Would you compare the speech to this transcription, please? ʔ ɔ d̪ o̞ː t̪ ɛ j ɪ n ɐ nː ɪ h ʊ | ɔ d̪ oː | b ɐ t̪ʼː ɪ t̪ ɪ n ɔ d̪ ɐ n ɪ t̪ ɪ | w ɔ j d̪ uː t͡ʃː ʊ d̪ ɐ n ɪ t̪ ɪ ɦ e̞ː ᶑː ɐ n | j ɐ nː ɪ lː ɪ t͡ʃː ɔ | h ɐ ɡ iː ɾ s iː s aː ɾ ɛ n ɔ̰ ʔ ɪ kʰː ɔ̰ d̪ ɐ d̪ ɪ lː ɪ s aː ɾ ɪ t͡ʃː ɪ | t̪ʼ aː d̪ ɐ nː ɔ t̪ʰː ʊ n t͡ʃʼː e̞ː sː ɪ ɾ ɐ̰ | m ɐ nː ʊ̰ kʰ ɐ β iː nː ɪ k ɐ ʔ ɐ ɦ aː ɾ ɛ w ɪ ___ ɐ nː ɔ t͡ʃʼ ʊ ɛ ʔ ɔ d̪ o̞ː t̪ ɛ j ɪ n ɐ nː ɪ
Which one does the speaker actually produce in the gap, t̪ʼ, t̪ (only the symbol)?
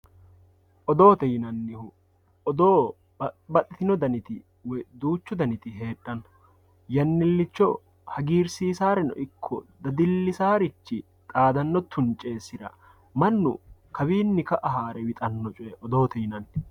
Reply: t̪ʼ